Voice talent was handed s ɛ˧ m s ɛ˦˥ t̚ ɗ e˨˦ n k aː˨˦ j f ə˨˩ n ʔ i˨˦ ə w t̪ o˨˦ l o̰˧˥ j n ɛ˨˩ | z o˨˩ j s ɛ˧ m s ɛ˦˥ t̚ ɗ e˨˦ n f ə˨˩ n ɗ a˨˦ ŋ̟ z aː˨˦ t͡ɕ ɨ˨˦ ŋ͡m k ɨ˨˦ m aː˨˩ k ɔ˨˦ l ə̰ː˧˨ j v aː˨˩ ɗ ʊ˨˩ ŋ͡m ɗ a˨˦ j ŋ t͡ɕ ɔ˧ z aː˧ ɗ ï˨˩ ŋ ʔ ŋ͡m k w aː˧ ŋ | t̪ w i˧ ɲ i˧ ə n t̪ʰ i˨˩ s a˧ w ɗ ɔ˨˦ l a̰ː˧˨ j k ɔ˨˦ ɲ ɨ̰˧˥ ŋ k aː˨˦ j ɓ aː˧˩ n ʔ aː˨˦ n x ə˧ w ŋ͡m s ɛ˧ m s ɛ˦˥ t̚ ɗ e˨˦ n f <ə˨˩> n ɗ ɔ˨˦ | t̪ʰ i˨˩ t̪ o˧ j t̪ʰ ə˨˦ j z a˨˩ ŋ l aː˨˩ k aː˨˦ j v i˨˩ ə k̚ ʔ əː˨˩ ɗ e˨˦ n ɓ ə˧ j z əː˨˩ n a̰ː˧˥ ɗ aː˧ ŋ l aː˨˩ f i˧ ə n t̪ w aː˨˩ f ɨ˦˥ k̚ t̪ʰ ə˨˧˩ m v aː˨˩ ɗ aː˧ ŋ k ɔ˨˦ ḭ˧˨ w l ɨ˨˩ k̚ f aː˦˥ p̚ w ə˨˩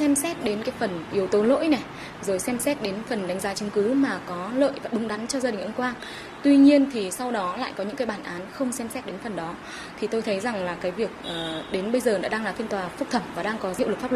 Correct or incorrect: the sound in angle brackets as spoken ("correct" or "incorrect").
correct